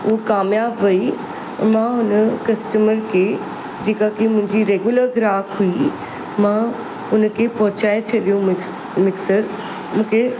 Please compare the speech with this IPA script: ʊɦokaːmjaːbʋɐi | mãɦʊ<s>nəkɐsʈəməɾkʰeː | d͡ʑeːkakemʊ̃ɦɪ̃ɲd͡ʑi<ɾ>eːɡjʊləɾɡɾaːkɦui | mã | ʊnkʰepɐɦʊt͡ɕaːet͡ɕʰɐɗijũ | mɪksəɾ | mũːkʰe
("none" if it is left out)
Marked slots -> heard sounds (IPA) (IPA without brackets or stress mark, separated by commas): none, ɾ